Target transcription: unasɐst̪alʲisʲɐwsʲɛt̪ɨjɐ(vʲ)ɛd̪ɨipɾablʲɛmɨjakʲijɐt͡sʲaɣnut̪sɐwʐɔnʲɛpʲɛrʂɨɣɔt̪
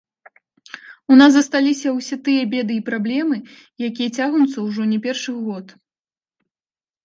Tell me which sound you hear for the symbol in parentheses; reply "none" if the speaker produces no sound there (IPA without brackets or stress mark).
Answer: bʲ